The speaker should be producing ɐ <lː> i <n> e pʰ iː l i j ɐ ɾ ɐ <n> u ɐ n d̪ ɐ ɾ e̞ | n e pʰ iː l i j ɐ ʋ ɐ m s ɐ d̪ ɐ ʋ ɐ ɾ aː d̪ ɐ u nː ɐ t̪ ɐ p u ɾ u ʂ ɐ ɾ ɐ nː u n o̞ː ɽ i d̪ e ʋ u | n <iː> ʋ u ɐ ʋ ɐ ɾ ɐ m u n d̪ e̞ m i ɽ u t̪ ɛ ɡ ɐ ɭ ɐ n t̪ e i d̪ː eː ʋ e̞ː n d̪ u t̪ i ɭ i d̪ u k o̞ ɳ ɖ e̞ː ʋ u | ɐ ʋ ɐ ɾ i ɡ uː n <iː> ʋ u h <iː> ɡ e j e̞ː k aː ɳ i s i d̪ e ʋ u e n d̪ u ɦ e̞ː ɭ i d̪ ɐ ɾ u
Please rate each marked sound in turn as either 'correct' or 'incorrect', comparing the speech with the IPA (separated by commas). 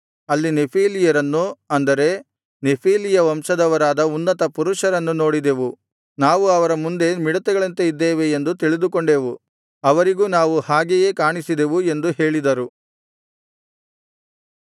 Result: correct, correct, incorrect, incorrect, incorrect, incorrect